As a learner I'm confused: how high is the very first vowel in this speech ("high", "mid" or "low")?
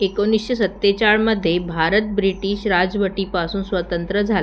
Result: mid